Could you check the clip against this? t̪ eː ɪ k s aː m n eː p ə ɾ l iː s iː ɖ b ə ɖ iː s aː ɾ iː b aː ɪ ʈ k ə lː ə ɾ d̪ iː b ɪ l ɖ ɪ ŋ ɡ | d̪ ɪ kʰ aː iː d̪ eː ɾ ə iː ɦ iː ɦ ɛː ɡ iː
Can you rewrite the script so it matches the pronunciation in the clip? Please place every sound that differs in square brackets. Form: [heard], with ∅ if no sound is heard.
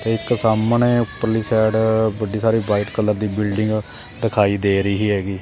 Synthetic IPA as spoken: t̪ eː ɪ k s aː m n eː p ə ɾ l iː s [ɛː] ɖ b ə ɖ iː s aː ɾ iː b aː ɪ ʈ k ə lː ə ɾ d̪ iː b ɪ l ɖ ɪ ŋ ɡ | d̪ ɪ kʰ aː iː d̪ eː ɾ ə iː ɦ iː ɦ ɛː ɡ iː